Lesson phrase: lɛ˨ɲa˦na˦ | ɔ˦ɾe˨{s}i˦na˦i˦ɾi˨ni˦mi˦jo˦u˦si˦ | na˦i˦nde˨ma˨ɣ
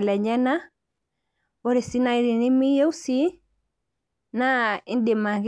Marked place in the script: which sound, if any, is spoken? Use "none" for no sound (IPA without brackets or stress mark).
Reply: s